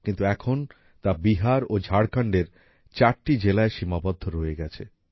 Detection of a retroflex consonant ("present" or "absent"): present